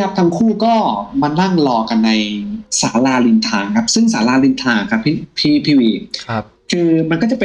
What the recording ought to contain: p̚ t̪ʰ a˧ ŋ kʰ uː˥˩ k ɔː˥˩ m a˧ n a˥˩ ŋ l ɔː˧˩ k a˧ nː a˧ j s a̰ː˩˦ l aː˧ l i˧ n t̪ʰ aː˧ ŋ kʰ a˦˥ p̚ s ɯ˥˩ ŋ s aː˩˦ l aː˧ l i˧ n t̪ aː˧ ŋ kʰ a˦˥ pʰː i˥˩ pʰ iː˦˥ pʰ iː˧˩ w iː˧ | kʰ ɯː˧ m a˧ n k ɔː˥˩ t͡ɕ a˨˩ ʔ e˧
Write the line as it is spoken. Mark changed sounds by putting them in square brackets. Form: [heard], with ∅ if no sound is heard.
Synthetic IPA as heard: p̚ t̪ʰ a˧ ŋ kʰ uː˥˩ k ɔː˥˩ m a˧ n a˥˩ ŋ l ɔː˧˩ k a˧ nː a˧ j s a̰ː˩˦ l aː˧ l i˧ n t̪ʰ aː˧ ŋ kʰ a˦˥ p̚ s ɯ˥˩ ŋ s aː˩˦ l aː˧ l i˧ n [t̪ʰ] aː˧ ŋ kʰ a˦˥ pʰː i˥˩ pʰ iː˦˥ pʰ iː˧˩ w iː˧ | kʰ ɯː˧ m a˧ n k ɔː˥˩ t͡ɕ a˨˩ [p] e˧